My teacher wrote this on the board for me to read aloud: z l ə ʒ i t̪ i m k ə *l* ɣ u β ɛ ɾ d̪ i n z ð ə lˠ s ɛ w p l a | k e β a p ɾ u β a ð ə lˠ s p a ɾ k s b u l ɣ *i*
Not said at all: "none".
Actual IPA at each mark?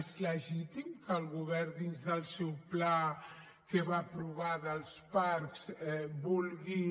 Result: l, i

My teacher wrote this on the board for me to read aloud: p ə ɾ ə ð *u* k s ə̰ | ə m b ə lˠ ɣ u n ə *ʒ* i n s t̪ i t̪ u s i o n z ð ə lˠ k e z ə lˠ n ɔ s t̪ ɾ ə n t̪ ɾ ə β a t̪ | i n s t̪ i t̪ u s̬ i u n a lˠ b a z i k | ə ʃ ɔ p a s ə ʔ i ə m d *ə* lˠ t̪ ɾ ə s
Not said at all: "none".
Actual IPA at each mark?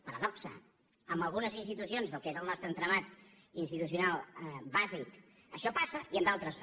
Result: ɔ, z, a

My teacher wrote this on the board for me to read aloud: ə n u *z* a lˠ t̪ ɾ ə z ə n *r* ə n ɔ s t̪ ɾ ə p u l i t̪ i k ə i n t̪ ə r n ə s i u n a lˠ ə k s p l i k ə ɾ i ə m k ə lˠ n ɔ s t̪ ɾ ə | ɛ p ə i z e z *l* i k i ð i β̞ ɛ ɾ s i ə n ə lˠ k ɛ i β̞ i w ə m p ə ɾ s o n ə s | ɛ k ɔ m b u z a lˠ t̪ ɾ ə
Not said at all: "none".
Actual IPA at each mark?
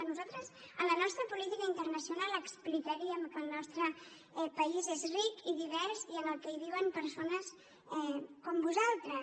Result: z, l, r

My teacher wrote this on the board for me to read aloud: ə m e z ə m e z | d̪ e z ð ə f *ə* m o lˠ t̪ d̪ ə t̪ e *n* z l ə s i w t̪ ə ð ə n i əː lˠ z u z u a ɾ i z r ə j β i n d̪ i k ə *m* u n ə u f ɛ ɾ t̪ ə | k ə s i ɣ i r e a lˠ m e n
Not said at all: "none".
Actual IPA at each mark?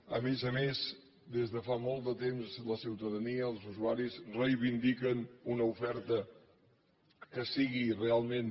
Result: a, m, n

